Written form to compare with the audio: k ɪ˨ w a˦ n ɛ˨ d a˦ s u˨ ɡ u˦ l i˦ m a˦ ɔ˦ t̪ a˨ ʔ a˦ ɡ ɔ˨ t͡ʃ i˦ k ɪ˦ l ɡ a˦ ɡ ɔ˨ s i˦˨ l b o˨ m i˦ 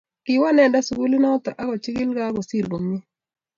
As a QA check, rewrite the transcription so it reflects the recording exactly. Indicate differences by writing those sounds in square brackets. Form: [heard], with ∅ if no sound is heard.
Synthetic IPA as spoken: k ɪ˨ w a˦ n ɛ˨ d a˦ s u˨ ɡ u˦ l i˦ [n] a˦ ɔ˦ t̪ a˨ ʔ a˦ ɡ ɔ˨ t͡ʃ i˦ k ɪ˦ l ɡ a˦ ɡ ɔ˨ s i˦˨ l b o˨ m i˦